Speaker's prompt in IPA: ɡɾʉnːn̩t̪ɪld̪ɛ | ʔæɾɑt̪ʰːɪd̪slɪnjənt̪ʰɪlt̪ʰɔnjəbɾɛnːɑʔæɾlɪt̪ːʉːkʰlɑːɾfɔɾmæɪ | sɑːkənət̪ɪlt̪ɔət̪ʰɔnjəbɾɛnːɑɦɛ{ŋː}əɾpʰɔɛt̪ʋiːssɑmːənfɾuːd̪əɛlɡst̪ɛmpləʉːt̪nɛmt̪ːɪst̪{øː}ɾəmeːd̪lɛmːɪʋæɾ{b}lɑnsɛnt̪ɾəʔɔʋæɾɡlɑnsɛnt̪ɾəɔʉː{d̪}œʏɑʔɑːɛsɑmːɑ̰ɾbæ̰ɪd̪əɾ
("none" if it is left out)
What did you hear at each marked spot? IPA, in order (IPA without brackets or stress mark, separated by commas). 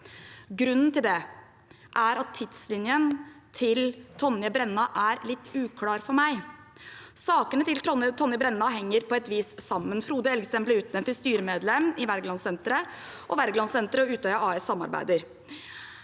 ŋː, yː, ɡ, t̪